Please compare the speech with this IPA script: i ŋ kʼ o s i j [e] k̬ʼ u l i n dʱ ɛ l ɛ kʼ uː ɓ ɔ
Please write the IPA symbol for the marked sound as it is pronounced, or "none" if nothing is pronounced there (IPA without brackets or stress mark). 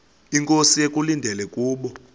e